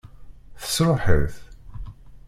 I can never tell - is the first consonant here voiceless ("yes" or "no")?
yes